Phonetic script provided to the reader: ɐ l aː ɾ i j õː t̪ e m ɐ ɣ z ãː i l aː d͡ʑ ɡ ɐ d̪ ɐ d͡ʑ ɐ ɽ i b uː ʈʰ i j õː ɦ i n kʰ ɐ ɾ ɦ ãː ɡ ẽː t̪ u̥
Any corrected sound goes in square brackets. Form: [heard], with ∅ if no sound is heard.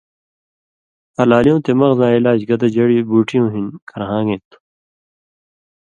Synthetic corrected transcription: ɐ l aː [l] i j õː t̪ e m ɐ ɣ z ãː i l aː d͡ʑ ɡ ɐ d̪ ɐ d͡ʑ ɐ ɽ i b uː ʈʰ i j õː ɦ i n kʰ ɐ ɾ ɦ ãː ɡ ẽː t̪ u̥